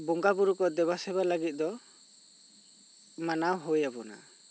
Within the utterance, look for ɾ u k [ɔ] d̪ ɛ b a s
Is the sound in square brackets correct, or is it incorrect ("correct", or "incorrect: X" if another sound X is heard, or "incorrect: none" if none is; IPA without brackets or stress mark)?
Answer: correct